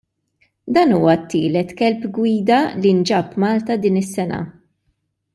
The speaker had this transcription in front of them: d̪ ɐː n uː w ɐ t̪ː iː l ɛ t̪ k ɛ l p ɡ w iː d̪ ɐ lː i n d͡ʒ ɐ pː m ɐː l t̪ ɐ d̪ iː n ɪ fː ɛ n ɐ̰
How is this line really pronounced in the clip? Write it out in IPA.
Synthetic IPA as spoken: d̪ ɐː n uː w ɐ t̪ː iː l ɛ t̪ k ɛ l p ɡ w iː d̪ ɐ l i n d͡ʒ ɐ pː m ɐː l t̪ ɐ d̪ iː n ɪ sː ɛ n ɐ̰